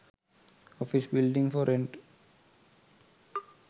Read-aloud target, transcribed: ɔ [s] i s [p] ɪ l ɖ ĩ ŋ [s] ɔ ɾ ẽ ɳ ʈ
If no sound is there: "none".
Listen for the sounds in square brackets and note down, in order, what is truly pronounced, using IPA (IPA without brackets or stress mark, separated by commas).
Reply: f, b, f